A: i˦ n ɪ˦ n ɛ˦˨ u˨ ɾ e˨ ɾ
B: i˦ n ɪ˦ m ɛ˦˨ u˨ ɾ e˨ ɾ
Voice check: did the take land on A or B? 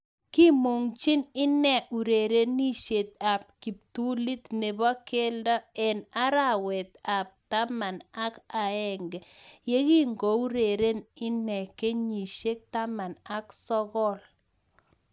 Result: A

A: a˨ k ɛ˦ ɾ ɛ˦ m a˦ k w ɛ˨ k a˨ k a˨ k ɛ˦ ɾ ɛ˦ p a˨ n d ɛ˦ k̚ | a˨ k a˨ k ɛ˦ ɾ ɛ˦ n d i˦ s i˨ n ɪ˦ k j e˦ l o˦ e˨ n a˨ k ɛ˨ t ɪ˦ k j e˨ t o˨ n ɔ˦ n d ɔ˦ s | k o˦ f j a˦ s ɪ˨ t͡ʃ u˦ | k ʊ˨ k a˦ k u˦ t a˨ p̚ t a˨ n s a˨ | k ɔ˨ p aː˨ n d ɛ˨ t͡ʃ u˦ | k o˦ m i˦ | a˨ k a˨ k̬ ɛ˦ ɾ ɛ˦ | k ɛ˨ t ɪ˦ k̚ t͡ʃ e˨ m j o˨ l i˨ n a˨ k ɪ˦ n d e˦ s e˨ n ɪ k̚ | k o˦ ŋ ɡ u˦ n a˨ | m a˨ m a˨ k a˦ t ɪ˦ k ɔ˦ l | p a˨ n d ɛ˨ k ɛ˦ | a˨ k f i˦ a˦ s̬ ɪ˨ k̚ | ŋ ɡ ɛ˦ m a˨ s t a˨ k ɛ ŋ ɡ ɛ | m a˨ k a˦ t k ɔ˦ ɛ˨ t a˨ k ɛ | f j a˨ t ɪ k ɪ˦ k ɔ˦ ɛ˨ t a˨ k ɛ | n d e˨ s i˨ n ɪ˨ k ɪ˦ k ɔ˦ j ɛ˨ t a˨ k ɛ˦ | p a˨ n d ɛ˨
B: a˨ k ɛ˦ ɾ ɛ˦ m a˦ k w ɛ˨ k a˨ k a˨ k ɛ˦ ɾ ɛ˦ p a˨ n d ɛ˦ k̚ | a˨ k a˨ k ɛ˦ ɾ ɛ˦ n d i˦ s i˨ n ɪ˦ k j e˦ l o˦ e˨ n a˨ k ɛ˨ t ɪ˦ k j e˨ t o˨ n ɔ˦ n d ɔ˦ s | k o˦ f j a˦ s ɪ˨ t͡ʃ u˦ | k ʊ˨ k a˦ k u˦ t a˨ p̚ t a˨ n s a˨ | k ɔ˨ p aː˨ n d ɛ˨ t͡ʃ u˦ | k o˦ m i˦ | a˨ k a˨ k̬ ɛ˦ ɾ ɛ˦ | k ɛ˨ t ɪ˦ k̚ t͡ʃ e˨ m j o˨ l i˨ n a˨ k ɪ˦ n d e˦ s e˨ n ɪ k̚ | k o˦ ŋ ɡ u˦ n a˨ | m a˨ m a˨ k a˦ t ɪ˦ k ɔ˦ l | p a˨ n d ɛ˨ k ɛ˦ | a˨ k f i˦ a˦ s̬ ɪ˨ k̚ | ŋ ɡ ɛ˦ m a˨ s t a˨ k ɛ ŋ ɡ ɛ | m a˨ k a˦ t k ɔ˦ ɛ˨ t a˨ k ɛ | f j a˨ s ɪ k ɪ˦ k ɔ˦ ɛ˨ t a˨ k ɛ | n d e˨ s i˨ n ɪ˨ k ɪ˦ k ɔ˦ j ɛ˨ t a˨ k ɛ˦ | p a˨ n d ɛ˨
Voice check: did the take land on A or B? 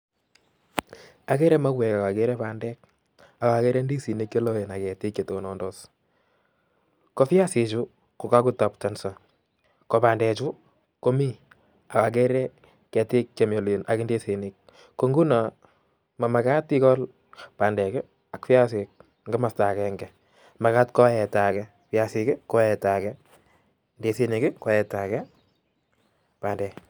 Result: B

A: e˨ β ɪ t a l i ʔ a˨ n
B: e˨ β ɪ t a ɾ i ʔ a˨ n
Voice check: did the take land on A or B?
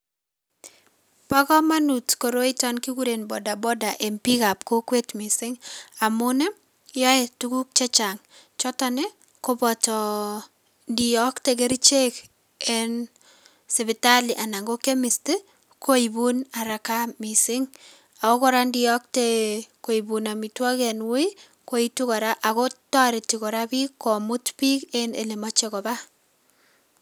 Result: A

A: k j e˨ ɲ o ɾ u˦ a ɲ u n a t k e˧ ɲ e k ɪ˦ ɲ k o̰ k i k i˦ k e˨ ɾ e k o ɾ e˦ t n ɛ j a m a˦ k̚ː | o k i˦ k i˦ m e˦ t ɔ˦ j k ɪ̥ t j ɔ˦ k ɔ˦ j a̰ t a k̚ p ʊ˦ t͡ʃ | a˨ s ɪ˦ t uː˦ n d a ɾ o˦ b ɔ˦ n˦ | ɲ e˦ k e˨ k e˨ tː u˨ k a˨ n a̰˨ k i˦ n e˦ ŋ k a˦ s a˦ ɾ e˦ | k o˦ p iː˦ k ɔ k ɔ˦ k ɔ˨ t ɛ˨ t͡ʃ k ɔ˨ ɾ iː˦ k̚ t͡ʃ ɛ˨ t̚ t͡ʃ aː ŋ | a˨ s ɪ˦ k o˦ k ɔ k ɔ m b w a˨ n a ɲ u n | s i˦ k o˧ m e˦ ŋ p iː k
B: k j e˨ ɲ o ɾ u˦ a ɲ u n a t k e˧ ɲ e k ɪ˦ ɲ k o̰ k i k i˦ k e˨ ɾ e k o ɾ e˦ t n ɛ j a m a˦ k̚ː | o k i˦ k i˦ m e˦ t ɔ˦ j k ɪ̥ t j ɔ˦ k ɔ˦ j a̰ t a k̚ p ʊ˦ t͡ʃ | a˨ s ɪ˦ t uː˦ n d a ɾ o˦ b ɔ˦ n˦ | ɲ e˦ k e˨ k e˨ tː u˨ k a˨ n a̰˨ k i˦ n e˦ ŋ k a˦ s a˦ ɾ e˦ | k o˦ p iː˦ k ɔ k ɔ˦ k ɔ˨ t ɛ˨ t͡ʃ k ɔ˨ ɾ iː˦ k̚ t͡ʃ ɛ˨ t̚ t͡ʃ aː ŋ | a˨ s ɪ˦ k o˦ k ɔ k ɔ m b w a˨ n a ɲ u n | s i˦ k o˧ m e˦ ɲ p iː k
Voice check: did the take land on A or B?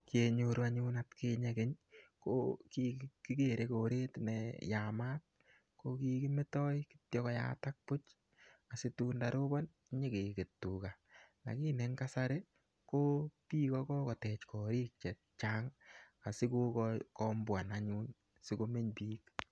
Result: B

